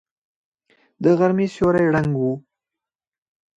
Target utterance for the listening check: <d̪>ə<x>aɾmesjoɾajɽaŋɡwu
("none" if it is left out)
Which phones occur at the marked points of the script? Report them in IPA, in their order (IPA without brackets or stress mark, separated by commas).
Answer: d̪, ɣ